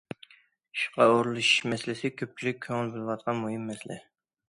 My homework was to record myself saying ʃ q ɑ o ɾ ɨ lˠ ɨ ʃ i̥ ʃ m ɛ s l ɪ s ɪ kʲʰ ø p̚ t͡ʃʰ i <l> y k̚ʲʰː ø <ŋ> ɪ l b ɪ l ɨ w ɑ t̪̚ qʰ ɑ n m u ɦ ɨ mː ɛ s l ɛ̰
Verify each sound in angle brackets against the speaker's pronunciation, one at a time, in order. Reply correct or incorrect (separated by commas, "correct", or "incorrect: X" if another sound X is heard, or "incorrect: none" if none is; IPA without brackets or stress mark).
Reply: correct, correct